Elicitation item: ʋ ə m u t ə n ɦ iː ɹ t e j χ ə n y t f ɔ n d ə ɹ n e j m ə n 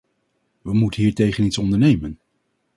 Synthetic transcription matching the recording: ʋ ə m u t ə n ɦ iː ɹ t e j χ ə n i t s ɔ n d ə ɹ n e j m ə n